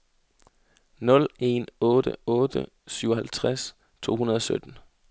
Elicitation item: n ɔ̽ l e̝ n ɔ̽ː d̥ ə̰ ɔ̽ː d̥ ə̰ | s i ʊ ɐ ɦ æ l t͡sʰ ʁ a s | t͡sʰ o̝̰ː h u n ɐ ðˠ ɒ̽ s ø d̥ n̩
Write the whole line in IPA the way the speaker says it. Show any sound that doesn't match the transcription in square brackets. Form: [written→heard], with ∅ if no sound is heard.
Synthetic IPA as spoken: n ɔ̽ l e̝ n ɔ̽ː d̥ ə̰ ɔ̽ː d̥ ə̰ | s [i→y] ʊ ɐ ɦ æ l t͡sʰ ʁ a s | t͡sʰ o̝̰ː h u n ɐ ðˠ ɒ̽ s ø d̥ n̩